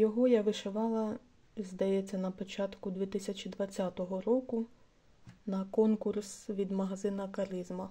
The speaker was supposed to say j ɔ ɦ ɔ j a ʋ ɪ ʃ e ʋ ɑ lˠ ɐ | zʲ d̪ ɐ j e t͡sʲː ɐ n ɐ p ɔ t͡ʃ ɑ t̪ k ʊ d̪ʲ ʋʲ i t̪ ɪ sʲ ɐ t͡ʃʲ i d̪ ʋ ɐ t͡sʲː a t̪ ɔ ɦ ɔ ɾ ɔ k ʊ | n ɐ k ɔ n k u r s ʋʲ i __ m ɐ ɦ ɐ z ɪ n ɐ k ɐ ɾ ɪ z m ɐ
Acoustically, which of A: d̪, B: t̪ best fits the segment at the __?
A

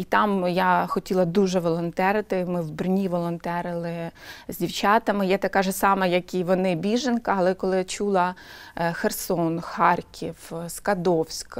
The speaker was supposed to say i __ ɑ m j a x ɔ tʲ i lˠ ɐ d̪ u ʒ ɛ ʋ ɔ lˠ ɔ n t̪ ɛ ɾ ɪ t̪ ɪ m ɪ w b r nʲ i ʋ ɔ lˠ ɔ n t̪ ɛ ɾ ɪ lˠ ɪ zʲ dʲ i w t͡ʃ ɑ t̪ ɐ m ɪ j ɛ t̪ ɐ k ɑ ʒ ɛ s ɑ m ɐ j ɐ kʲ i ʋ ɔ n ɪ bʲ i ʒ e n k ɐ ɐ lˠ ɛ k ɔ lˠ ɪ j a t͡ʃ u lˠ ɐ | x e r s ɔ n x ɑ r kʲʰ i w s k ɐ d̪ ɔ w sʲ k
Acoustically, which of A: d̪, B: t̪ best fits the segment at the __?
B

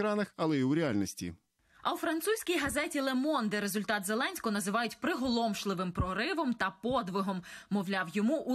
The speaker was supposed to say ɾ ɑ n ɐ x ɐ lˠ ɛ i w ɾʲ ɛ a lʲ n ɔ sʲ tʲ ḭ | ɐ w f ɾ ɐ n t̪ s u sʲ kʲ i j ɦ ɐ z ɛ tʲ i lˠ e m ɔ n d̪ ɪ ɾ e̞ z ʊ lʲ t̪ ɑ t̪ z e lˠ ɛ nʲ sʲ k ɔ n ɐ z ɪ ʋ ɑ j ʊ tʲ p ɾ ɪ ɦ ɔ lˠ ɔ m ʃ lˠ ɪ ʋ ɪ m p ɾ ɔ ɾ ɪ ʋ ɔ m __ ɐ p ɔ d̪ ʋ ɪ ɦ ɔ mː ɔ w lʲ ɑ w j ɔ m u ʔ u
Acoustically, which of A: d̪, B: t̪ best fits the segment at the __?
B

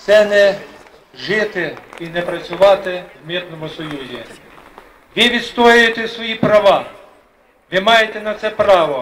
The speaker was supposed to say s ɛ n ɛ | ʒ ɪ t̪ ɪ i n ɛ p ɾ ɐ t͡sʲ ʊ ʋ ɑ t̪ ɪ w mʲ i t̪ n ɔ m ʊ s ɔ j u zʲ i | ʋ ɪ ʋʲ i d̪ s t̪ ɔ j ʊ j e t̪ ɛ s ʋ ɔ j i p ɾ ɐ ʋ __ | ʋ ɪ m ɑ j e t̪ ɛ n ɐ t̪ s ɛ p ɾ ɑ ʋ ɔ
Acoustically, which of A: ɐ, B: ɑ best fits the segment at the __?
B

